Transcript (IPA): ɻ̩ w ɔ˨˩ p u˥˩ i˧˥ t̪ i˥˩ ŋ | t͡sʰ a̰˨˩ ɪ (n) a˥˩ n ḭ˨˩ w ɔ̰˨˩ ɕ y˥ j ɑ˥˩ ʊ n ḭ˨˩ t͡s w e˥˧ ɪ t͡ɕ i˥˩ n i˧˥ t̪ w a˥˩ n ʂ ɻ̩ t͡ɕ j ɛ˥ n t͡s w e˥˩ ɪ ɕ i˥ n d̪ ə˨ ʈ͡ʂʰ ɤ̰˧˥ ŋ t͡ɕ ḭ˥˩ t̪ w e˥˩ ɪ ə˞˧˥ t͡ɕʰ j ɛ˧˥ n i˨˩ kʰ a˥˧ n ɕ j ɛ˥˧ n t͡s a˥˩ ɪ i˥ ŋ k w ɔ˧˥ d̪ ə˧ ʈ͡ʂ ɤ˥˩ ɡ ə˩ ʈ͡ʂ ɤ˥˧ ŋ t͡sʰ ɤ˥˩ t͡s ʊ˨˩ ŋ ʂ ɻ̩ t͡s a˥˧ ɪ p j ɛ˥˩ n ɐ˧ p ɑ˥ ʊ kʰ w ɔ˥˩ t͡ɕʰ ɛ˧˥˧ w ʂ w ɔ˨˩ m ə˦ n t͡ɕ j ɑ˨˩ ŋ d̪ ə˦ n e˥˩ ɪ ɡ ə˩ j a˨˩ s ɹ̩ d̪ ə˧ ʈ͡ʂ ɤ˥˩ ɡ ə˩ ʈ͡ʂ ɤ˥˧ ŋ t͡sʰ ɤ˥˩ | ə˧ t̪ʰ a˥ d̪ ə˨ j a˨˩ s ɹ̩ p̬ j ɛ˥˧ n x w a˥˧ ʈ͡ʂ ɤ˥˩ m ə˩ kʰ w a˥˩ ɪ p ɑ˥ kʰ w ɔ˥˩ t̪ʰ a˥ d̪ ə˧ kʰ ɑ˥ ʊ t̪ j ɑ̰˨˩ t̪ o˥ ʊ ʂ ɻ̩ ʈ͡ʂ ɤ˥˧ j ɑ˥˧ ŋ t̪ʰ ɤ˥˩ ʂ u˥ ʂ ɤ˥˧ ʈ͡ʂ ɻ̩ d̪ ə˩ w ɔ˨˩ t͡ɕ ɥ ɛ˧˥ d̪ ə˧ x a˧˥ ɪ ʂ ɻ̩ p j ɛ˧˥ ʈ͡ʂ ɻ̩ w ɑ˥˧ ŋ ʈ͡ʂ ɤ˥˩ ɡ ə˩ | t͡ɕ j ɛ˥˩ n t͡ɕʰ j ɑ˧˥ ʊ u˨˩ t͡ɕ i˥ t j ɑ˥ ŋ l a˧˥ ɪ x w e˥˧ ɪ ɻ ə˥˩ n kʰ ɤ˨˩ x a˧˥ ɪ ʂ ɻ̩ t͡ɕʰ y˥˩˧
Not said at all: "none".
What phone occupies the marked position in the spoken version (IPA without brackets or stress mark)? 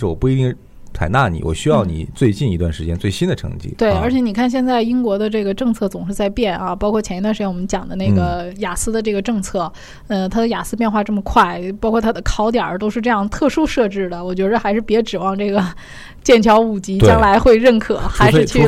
n